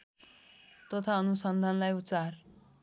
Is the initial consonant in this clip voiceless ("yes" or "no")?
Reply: yes